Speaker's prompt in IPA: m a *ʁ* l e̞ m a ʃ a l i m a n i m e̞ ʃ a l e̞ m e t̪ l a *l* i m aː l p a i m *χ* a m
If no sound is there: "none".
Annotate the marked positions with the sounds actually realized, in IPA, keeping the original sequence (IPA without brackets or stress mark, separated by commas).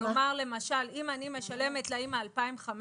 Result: ʁ, none, χ